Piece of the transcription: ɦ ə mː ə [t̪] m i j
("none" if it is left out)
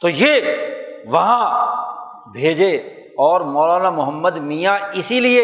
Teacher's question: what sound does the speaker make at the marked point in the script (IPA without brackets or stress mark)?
d̪